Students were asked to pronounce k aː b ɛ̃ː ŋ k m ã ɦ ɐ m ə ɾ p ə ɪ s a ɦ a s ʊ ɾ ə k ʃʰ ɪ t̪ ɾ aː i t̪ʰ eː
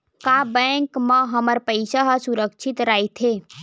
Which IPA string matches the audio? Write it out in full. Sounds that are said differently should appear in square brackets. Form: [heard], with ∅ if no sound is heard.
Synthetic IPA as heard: k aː b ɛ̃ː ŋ k m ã ɦ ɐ m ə ɾ p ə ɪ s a ɦ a s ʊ ɾ ə k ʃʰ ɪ t̪ ɾ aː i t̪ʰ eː